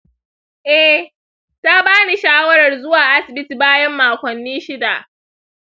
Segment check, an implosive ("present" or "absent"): absent